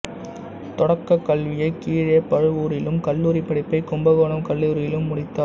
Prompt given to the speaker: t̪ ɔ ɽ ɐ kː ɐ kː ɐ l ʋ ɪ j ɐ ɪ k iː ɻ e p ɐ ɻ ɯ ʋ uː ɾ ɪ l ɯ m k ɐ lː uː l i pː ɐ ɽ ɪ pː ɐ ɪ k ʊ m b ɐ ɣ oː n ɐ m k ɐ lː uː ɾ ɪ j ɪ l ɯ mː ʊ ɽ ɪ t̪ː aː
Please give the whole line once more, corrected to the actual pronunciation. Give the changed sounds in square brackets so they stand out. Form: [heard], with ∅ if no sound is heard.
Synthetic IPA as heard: t̪ ɔ ɽ ɐ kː ɐ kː ɐ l ʋ ɪ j ɐ ɪ k iː ɻ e p ɐ ɻ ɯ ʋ uː ɾ ɪ l ɯ m k ɐ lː uː [ɾ] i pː ɐ ɽ ɪ pː ɐ ɪ k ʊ m b ɐ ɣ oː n ɐ m k ɐ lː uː ɾ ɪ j ɪ l ɯ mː ʊ ɽ ɪ t̪ː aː